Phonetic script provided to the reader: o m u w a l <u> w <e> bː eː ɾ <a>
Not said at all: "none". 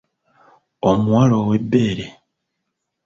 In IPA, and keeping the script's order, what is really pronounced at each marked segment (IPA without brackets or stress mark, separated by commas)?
o, e, e